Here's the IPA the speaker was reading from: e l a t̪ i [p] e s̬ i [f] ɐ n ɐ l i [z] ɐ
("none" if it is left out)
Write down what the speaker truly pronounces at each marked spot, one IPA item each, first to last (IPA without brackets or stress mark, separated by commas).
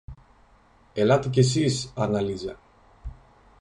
c, s, z